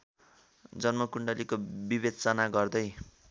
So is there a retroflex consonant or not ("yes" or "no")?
yes